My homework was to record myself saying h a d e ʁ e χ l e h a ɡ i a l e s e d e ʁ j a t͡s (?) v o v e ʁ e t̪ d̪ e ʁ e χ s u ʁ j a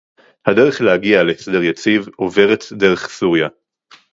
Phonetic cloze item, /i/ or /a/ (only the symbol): i